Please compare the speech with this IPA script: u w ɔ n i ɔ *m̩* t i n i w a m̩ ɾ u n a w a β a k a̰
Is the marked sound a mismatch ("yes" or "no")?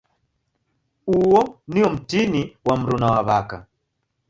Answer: no